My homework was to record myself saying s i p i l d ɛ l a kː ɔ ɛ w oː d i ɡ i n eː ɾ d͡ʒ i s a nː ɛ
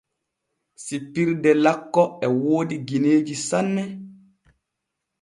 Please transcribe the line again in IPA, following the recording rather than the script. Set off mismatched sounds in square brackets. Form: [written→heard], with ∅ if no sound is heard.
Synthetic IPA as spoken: s i p i [l→ɾ] d ɛ l a kː ɔ ɛ w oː d i ɡ i n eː [ɾ→∅] d͡ʒ i s a nː ɛ